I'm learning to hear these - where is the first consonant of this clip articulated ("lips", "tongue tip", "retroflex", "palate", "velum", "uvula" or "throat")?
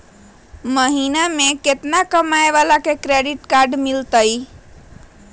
lips